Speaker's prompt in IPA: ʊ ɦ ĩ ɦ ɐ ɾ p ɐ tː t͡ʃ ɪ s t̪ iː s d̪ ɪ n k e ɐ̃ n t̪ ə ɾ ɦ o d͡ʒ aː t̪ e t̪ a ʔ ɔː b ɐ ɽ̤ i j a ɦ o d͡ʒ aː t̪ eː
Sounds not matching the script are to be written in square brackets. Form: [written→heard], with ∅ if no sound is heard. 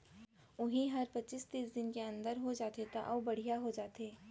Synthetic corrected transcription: ʊ ɦ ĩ ɦ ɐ ɾ p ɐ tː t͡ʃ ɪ s t̪ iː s d̪ ɪ n k e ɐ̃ n [t̪→d̪] ə ɾ ɦ o d͡ʒ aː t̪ e t̪ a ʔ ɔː b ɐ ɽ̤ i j a ɦ o d͡ʒ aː t̪ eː